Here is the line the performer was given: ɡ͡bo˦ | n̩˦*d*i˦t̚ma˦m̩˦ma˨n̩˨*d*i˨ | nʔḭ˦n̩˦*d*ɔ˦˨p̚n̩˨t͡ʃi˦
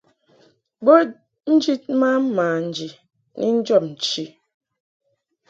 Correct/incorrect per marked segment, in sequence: incorrect, incorrect, incorrect

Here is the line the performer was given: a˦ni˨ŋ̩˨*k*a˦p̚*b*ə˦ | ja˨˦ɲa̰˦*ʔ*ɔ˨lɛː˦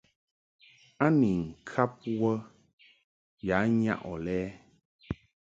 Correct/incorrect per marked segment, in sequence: incorrect, incorrect, correct

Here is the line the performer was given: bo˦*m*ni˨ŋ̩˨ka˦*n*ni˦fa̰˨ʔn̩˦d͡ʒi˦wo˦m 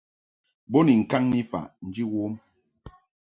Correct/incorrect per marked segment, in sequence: incorrect, incorrect

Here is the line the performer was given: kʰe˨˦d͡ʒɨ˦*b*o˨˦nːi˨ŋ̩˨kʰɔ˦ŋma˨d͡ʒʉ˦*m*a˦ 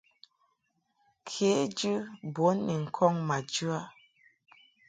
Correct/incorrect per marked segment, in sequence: correct, incorrect

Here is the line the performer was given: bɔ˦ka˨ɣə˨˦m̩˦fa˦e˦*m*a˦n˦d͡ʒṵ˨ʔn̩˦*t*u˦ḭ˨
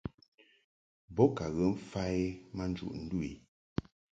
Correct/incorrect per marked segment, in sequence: correct, incorrect

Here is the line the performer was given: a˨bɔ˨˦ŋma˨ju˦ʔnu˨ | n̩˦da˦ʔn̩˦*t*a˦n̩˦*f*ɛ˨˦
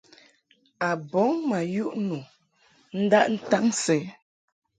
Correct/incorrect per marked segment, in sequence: correct, incorrect

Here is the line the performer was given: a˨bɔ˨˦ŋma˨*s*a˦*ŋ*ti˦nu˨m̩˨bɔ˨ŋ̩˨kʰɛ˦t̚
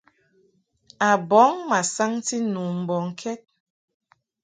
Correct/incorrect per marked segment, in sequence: correct, correct

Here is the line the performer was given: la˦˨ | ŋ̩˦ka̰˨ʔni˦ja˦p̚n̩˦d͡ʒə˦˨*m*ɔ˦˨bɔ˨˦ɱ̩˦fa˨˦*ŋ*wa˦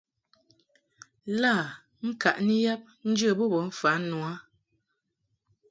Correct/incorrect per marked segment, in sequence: incorrect, incorrect

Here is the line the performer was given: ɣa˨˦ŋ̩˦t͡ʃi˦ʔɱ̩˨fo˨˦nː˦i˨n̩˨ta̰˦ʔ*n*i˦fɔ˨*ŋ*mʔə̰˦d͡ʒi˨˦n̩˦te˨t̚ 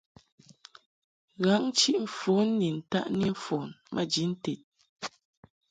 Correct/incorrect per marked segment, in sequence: correct, incorrect

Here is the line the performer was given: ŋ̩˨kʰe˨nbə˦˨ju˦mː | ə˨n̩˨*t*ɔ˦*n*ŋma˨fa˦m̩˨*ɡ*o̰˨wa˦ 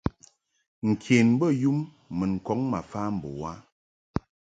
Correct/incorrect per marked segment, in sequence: incorrect, incorrect, incorrect

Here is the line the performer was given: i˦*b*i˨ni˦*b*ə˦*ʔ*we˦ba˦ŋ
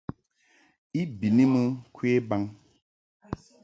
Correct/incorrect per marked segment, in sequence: correct, incorrect, incorrect

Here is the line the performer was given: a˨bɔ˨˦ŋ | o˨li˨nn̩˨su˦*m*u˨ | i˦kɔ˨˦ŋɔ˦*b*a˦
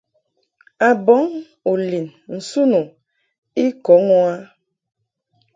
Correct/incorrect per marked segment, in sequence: incorrect, incorrect

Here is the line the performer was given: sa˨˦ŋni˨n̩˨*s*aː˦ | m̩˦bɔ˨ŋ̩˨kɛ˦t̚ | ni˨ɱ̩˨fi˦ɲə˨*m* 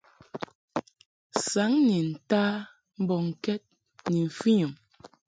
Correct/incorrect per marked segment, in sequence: incorrect, correct

